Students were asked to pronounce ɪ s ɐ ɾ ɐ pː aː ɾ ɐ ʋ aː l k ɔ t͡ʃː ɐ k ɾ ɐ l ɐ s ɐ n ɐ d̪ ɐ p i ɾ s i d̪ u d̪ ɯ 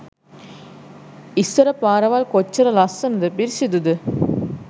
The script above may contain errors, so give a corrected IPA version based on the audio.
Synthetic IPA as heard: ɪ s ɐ ɾ ɐ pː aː ɾ ɐ ʋ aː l k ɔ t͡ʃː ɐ ɾ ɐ l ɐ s ɐ n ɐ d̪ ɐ p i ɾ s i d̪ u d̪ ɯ